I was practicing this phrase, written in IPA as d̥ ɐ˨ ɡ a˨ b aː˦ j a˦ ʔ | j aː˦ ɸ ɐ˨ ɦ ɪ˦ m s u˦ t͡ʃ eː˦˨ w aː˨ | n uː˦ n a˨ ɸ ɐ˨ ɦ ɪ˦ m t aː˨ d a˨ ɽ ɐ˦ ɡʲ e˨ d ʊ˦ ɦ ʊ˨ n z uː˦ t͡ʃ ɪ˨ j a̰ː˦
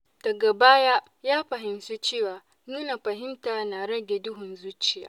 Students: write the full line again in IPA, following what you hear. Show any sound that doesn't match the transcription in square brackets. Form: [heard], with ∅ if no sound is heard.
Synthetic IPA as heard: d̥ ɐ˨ ɡ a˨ b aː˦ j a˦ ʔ | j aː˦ ɸ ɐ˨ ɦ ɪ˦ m s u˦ t͡ʃ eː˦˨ w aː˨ | n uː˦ n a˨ ɸ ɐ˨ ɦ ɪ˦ m t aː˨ [n] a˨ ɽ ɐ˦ ɡʲ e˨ d ʊ˦ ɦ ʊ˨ n z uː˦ t͡ʃ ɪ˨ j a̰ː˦